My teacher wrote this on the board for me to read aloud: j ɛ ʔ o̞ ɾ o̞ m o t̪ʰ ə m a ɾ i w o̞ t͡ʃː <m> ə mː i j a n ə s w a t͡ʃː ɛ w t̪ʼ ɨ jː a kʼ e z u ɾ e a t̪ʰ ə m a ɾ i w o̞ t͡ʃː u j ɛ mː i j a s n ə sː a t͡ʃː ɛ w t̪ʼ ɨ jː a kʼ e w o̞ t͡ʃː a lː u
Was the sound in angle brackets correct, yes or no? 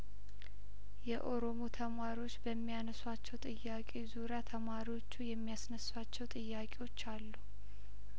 no